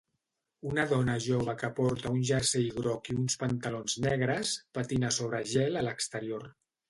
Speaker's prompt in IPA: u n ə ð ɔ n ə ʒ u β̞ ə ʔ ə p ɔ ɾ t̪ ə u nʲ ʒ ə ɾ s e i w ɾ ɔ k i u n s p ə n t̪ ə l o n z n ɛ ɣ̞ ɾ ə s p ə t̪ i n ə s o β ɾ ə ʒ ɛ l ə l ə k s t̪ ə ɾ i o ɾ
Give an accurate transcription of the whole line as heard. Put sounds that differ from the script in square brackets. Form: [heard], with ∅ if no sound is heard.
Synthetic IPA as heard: u n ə ð ɔ n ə ʒ [o] β̞ ə [k] ə p ɔ ɾ t̪ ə u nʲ ʒ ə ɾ s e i [ɣ] ɾ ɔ k i u n s p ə n t̪ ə l o n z n ɛ ɣ̞ ɾ ə s p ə t̪ i n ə s o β ɾ ə ʒ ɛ l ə l ə k s t̪ ə ɾ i o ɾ